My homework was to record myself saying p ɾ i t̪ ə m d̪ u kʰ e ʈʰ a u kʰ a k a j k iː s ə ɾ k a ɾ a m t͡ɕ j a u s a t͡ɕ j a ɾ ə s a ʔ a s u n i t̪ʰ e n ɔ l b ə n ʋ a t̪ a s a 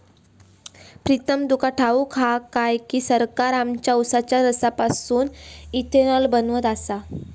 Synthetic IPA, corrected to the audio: p ɾ i t̪ ə m d̪ u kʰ a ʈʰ a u kʰ a k a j k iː s ə ɾ k a ɾ a m t͡ɕ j a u s a t͡ɕ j a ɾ ə s a p a s uː n i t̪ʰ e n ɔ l b ə n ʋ ə t̪ a s a